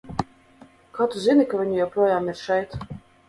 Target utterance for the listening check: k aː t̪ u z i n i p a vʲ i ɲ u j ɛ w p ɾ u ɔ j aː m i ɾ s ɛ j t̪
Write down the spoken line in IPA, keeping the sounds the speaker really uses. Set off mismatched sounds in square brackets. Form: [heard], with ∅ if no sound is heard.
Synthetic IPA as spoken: k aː t̪ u z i n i [k] a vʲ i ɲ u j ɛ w p ɾ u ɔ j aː m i ɾ [ʃ] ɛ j t̪